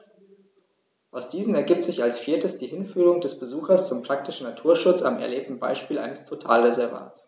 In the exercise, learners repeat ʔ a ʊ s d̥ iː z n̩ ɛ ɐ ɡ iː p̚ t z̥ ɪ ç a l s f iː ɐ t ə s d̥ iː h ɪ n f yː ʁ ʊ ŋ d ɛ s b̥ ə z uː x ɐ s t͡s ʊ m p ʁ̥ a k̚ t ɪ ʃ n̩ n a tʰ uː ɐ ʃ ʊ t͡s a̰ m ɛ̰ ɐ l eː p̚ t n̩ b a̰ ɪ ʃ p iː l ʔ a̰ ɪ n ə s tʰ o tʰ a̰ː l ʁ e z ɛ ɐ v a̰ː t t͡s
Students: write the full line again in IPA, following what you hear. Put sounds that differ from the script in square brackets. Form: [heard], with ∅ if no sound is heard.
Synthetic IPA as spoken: ʔ a ʊ s d̥ iː z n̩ ɛ ɐ ɡ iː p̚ t z̥ ɪ ç a l s f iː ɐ t ə s d̥ iː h ɪ n f yː ʁ ʊ ŋ d ɛ s b̥ ə z uː x ɐ s t͡s ʊ m p ʁ̥ a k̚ t ɪ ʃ n̩ n a tʰ uː ɐ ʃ ʊ t͡s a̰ m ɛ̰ ɐ l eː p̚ t n̩ b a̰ ɪ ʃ p iː l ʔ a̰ ɪ n ə s tʰ o tʰ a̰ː l ʁ e z ɛ ɐ v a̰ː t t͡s

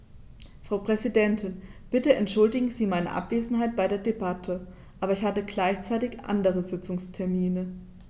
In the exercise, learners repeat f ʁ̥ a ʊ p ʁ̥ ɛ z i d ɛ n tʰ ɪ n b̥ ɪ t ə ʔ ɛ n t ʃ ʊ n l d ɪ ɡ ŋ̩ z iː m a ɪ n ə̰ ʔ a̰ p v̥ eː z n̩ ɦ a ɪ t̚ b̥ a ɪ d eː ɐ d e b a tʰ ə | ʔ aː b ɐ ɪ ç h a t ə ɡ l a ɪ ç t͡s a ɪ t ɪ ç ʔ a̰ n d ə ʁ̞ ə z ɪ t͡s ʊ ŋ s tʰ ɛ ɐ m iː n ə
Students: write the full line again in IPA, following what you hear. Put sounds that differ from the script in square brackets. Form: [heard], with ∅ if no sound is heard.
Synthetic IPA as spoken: f ʁ̥ a ʊ p ʁ̥ ɛ z i d ɛ n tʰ ɪ n b̥ ɪ t ə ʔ ɛ n t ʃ ʊ [∅] l d ɪ ɡ ŋ̩ z iː m a ɪ n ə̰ ʔ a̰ p v̥ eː z n̩ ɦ a ɪ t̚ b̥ a ɪ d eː ɐ d e b a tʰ ə | ʔ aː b ɐ ɪ ç h a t ə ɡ l a ɪ ç t͡s a ɪ t ɪ ç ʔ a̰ n d ə ʁ̞ ə z ɪ t͡s ʊ ŋ s tʰ ɛ ɐ m iː n ə

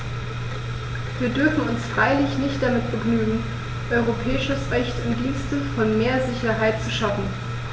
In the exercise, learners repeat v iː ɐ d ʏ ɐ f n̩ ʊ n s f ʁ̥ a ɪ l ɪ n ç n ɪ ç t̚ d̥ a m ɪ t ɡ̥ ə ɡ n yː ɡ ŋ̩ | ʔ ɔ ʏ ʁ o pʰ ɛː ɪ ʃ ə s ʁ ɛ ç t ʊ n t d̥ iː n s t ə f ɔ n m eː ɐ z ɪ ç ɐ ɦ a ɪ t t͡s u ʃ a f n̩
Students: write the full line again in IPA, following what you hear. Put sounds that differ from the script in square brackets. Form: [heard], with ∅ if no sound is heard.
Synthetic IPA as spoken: v iː ɐ d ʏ ɐ f n̩ ʊ n s f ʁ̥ a ɪ l ɪ [∅] ç n ɪ ç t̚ d̥ a m ɪ t [b̥] ə ɡ n yː ɡ ŋ̩ | ʔ ɔ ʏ ʁ o pʰ ɛː ɪ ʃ ə s ʁ ɛ ç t ʊ n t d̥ iː n s t ə f ɔ n m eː ɐ z ɪ ç ɐ ɦ a ɪ t t͡s u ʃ a f n̩

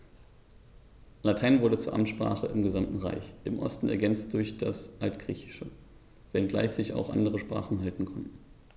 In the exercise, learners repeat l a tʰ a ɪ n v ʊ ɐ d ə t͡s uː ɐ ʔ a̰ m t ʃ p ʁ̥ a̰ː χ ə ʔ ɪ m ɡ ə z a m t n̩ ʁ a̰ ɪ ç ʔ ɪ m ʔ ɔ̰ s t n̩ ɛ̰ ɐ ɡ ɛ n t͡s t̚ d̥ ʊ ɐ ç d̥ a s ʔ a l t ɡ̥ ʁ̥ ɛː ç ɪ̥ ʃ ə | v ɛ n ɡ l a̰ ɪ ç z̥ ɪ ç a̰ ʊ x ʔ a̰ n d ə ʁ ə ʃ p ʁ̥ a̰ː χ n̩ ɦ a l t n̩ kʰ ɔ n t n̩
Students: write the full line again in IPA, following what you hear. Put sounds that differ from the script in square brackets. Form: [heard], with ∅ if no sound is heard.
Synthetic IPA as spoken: l a tʰ a ɪ n v ʊ ɐ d ə t͡s uː ɐ ʔ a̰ m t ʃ p ʁ̥ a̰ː χ ə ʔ ɪ m ɡ ə z a m t n̩ ʁ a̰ ɪ ç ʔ ɪ m ʔ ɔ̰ s t n̩ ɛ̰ ɐ ɡ ɛ n t͡s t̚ d̥ ʊ ɐ ç d̥ a s ʔ a l t ɡ̥ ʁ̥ [iː] ç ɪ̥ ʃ ə | v ɛ n ɡ l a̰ ɪ ç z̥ ɪ ç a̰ ʊ x ʔ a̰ n d ə ʁ ə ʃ p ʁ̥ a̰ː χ n̩ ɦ a l t n̩ kʰ ɔ n t n̩

